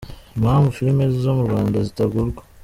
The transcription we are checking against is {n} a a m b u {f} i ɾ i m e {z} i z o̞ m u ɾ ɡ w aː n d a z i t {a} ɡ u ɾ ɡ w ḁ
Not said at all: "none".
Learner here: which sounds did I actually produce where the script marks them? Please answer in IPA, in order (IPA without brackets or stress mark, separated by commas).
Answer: m, f, z, a